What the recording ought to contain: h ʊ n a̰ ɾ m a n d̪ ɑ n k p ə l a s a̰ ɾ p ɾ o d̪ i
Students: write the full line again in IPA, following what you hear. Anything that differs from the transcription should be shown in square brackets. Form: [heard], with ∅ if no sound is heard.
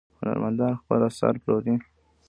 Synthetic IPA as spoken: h ʊ n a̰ ɾ m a n d̪ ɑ n [x] p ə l a s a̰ ɾ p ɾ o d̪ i